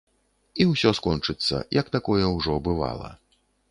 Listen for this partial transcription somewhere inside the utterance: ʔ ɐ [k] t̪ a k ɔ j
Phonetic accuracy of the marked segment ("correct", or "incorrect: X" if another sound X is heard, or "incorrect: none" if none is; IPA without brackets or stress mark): correct